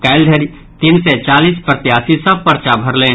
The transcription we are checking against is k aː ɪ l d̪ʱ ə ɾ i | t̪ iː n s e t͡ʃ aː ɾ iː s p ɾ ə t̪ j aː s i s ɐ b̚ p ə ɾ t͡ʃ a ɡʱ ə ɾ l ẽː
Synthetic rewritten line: k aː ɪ l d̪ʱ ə ɾ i | t̪ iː n s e t͡ʃ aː l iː s p ɾ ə t̪ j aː s i s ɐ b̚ p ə ɾ t͡ʃ a bʱ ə ɾ l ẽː